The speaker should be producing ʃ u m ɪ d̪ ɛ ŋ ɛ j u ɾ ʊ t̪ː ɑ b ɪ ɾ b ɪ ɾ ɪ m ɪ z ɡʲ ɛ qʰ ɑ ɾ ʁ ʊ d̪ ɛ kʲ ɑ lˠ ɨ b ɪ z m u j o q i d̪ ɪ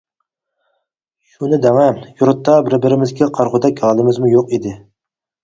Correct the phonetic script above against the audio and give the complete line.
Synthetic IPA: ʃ u n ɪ d̪ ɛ ŋ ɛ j u ɾ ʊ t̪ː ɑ b ɪ ɾ b ɪ ɾ ɪ m ɪ z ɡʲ ɛ qʰ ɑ ɾ ʁ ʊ d̪ ɛ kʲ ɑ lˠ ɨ m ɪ z m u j o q i d̪ ɪ